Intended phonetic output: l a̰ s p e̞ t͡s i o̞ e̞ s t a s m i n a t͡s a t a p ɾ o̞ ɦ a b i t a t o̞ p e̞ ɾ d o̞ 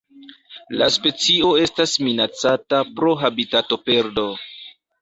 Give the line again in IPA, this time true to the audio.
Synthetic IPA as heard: l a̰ s p e̞ t͡s i o̞ e̞ s t a s m i n a t͡s a t a p ɾ o̞ ɦ a b i t a t o̞ p e̞ ɾ d o̞

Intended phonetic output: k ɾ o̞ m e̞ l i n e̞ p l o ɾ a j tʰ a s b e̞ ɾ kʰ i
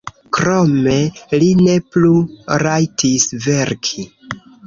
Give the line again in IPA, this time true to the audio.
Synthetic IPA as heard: k ɾ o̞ m e̞ l i n e̞ p l u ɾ a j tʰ i s v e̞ ɾ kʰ i

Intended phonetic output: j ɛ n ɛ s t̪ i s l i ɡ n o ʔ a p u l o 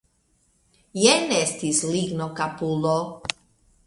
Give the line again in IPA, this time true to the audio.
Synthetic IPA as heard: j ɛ n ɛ s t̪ i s l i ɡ n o k a p u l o

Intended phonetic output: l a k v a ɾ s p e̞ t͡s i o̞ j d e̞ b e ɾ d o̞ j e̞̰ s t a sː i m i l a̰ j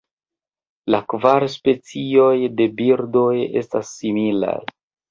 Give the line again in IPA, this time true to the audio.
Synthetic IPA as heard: l a k v a ɾ s p e̞ t͡s i o̞ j d e̞ b i ɾ d o̞ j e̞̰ s t a sː i m i l a̰ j

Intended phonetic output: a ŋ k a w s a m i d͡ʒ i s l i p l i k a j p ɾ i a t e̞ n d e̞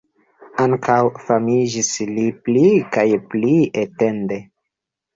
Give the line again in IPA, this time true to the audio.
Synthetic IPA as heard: a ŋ k a w f a m i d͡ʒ i s l i p l i k a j p l i e t e̞ n d e̞

